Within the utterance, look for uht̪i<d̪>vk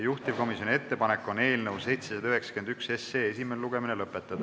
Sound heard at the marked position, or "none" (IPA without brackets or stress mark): none